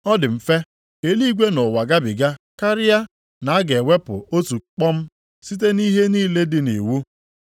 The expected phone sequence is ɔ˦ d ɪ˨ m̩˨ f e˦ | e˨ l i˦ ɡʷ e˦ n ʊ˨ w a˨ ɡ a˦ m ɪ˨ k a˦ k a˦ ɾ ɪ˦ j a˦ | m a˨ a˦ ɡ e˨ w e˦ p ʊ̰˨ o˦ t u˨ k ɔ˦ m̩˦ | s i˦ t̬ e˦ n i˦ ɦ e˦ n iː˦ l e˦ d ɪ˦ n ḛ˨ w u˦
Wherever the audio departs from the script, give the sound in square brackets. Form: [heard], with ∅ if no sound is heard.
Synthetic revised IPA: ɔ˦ d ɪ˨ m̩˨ f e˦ | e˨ l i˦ ɡʷ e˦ n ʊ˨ w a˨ ɡ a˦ [b] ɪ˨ [ɡ] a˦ k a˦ ɾ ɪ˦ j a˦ | [n] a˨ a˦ ɡ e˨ w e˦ p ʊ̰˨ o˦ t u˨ [k͡p] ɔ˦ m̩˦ | s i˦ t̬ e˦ n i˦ ɦ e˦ n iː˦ l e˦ d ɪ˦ n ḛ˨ w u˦